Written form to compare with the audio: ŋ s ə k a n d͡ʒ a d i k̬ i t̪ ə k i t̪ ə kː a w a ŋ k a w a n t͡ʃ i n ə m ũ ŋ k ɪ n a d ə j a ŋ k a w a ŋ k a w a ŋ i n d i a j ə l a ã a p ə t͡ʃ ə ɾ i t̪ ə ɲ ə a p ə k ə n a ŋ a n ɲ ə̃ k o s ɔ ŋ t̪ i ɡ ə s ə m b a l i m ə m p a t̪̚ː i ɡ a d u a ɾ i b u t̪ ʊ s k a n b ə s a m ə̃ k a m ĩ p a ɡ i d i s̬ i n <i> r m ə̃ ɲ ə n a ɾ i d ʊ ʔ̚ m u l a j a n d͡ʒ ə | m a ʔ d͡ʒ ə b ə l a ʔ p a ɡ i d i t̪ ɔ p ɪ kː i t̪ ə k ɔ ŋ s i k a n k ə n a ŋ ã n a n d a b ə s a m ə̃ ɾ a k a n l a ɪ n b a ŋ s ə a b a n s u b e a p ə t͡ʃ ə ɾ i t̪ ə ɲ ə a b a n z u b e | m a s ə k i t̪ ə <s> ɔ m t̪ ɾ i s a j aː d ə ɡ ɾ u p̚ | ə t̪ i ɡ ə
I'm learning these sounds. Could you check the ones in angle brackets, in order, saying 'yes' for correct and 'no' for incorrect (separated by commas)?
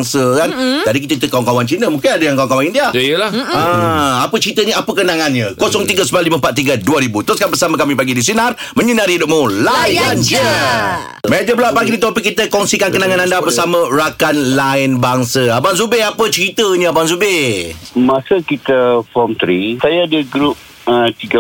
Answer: no, no